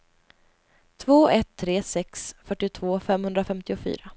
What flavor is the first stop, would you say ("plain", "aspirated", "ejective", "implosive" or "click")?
aspirated